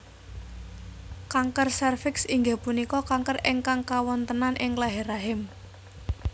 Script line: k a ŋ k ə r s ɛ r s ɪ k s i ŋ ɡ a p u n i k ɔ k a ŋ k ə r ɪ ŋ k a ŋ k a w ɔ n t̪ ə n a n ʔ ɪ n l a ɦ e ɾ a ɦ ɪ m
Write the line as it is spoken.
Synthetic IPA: k a ŋ k ə r s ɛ r f ɪ k s i ŋ ɡ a p u n i k ɔ k a ŋ k ə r ɪ ŋ k a ŋ k a w ɔ n t̪ ə n a n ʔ ɪ ŋ l a ɦ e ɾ a ɦ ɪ m

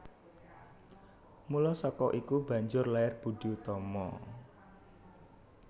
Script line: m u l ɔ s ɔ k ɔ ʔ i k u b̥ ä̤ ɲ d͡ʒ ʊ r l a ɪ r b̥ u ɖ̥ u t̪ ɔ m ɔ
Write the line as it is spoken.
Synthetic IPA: m u l ɔ s ɔ k ɔ ʔ i k u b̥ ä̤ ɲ d͡ʒ ʊ r l a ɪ r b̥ u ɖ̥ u t̪ ɔ m ɔ

